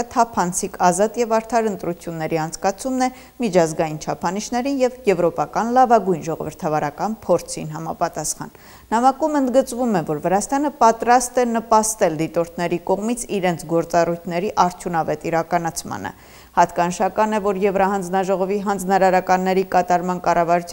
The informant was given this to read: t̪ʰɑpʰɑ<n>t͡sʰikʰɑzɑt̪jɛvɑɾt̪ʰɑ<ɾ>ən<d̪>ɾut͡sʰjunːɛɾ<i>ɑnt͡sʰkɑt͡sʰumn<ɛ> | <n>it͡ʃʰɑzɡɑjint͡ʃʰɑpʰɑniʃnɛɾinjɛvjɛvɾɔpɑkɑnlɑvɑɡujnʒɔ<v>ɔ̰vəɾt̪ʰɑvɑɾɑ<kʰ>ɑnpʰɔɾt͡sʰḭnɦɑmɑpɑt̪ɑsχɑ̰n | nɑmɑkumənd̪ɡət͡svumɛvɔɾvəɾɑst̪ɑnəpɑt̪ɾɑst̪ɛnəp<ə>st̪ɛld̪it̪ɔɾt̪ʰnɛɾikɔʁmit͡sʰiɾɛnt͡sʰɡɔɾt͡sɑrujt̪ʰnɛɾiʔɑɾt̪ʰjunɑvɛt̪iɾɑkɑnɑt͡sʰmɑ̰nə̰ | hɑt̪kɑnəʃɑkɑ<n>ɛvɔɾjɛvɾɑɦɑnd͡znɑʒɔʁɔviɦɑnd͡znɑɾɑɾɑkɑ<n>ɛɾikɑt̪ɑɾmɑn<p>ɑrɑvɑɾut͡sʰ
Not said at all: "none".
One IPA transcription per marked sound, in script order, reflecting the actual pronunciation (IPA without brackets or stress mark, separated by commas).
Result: n, ɾ, t̪, i, ɛ, m, ʁ, k, ɑ, n, nː, k